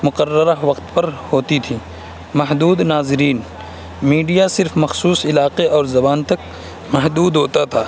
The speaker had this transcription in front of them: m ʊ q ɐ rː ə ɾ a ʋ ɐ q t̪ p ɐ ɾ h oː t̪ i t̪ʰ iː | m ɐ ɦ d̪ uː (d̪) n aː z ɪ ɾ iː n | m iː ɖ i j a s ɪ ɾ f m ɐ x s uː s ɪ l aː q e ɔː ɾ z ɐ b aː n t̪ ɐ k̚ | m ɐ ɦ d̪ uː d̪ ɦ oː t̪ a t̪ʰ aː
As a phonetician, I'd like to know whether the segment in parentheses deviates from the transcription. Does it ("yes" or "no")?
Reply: no